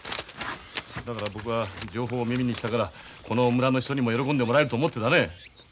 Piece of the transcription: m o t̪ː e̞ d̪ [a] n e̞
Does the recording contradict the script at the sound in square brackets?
no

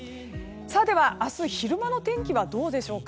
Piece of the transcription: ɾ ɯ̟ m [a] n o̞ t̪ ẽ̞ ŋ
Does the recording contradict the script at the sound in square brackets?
no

